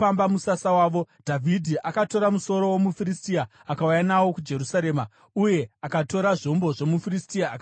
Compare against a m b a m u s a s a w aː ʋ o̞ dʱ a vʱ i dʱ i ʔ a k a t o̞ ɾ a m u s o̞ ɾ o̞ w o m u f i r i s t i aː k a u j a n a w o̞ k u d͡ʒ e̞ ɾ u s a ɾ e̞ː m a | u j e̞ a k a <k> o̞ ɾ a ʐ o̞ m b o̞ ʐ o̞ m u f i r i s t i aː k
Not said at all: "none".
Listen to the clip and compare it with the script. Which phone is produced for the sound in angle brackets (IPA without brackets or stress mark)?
t